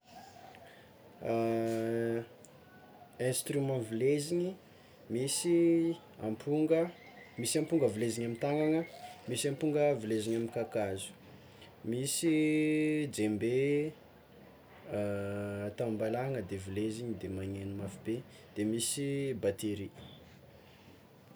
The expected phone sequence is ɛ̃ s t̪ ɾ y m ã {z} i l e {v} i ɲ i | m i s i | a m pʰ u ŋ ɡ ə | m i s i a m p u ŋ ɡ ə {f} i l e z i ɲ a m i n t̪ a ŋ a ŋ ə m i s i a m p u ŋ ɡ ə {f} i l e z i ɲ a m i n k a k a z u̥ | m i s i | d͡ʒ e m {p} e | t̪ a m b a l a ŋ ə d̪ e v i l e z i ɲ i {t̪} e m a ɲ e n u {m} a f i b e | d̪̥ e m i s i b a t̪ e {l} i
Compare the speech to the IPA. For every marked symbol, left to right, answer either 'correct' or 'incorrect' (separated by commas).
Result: incorrect, incorrect, incorrect, incorrect, incorrect, incorrect, correct, incorrect